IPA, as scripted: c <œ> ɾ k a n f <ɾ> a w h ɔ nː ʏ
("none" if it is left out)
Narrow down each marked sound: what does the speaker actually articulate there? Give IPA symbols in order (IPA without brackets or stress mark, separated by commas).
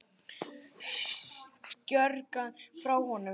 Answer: œ, ɾ